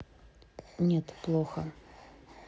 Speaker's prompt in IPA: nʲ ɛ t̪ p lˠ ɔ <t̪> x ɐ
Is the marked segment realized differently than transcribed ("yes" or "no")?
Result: yes